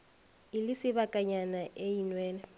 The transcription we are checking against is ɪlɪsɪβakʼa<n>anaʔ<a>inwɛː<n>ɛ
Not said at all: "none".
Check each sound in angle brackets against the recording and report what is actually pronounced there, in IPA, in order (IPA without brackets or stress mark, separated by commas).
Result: ɲ, e, n